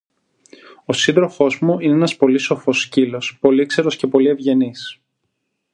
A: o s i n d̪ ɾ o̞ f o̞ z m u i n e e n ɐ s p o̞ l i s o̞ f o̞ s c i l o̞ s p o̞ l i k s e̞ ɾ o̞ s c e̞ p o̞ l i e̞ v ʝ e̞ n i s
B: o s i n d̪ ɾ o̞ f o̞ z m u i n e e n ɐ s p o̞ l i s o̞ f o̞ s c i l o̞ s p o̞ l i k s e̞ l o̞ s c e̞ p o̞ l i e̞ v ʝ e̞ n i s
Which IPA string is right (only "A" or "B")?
A